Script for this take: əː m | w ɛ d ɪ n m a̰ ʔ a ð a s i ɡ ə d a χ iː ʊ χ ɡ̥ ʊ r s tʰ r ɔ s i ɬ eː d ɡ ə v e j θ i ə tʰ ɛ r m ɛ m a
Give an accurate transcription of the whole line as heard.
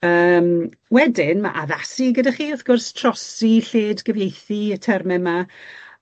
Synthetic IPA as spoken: əː m | w ɛ d ɪ n m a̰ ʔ a ð a s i ɡ ə d a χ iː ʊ θ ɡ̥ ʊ r s tʰ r ɔ s i ɬ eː d ɡ ə v e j θ i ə tʰ ɛ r m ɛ m a